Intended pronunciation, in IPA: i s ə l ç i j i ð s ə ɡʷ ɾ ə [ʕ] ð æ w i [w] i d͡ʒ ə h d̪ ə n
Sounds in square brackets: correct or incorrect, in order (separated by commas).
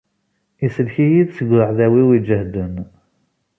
correct, correct